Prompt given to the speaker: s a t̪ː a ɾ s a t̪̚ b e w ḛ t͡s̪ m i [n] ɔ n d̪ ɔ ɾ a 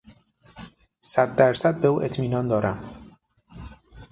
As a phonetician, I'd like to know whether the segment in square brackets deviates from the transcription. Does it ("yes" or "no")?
no